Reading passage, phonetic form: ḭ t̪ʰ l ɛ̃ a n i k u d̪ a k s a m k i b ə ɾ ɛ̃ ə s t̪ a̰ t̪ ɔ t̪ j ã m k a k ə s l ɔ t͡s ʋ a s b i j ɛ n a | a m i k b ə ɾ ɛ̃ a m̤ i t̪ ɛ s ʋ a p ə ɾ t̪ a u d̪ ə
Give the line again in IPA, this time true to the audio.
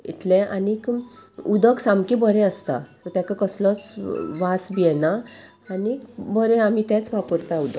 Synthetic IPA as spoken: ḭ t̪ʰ l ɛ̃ a n i k u d̪ ə k s a m k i b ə ɾ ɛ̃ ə s t̪ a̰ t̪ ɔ t̪ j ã k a k ə s l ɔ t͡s ʋ a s b i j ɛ n a | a n i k b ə ɾ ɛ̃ a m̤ i t̪ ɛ t͡s ʋ a p ə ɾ t̪ a u d̪ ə